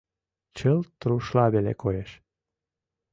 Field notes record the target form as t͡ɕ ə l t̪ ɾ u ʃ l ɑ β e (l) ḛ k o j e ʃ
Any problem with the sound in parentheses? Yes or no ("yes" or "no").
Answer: no